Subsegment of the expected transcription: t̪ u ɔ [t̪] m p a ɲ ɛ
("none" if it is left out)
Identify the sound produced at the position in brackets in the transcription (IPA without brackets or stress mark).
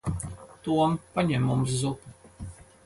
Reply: none